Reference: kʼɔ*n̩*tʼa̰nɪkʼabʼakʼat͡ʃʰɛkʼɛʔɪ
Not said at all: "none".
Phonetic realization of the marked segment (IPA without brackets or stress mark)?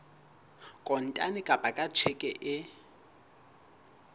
n̩